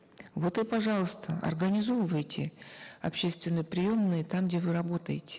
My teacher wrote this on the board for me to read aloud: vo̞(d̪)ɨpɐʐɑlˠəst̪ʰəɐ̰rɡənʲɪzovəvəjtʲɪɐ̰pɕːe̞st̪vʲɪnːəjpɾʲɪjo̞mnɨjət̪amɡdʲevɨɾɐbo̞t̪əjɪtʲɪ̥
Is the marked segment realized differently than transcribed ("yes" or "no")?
yes